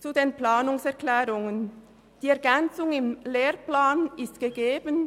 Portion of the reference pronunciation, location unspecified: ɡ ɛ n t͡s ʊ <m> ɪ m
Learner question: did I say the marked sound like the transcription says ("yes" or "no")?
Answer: no